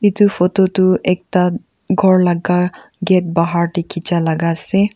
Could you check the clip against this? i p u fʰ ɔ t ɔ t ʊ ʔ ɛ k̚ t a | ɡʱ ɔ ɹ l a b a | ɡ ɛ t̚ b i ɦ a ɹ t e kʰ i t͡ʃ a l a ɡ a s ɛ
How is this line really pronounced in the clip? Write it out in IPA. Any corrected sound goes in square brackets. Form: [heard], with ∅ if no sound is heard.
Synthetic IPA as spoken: i [t] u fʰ ɔ t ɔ t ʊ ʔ ɛ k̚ t a | ɡʱ ɔ ɹ l a [ɡ] a | ɡ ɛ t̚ b [a] ɦ a ɹ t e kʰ i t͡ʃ a l a ɡ a s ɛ